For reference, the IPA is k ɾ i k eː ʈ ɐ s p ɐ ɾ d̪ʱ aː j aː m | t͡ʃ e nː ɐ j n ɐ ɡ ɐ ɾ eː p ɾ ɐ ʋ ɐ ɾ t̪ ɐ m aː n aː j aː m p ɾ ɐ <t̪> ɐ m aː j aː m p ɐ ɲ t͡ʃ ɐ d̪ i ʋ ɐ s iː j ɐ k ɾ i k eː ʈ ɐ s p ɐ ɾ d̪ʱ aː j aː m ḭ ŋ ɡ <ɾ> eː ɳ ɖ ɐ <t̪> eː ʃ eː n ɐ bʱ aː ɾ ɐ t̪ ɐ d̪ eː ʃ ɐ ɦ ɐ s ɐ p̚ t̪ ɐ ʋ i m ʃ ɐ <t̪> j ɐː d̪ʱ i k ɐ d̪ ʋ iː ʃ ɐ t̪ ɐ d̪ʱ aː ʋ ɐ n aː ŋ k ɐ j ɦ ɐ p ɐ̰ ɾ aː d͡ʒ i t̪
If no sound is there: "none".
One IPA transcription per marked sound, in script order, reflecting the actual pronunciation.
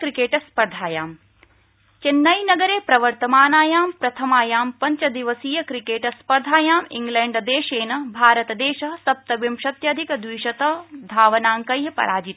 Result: t̪ʰ, l, d̪, t̪

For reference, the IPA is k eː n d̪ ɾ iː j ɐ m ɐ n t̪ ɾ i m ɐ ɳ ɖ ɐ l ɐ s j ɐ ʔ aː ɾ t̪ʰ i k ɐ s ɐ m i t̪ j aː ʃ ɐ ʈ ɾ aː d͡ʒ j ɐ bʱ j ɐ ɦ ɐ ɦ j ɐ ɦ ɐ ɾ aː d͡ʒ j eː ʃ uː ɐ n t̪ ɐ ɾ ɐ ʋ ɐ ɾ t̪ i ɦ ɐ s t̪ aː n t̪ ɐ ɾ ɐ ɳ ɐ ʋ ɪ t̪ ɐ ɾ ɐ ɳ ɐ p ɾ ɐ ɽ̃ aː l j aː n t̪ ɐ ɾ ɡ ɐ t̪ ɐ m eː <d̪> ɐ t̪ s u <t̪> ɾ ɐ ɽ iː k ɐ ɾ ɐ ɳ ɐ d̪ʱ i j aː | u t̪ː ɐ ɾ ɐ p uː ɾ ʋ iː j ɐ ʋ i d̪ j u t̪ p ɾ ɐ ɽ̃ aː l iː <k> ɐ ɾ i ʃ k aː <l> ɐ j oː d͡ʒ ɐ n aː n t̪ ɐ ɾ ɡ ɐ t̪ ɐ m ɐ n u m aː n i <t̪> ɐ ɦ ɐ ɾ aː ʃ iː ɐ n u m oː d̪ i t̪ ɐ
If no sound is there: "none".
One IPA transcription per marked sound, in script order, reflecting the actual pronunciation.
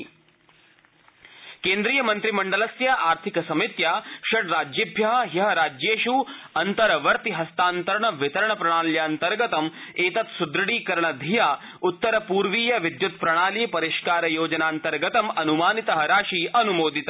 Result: t̪, d̪, p, ɾ, t̪

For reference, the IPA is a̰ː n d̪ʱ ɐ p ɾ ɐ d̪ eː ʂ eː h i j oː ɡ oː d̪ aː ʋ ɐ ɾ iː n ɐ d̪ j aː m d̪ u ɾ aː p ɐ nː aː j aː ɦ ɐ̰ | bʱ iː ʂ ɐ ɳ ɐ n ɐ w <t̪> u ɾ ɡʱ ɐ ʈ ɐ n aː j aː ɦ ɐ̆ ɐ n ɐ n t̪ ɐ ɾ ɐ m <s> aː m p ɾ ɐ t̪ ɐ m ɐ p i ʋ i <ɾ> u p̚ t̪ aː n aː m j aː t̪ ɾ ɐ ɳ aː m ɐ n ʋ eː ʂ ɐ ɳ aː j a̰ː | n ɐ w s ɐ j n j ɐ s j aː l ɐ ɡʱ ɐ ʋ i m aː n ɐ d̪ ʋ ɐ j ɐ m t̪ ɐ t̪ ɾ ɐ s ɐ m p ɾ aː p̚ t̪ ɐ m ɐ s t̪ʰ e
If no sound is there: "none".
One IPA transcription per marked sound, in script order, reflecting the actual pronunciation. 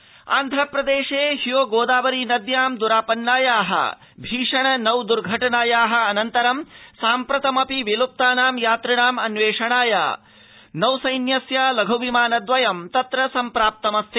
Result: d̪, s, l

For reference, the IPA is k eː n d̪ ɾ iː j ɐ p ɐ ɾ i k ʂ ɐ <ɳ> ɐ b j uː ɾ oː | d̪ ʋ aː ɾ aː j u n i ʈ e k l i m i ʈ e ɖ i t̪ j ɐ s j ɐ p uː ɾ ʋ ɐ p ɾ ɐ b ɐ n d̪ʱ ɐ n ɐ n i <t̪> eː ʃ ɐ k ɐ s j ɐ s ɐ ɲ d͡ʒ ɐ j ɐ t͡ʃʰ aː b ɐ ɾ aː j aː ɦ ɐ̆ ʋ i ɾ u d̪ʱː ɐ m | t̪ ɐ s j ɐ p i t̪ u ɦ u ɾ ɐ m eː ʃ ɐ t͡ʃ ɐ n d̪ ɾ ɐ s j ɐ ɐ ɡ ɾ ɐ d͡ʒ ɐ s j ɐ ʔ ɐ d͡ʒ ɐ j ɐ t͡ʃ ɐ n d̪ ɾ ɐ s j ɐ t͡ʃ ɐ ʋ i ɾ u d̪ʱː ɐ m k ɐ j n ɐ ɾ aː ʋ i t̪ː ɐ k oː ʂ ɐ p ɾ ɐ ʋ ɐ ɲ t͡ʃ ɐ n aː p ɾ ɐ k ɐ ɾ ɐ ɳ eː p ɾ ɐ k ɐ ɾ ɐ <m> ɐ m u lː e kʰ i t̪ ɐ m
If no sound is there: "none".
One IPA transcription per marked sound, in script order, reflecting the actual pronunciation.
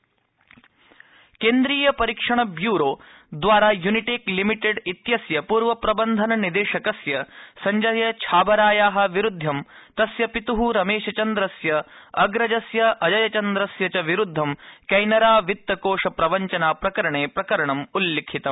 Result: ɳ, d̪, ɳ

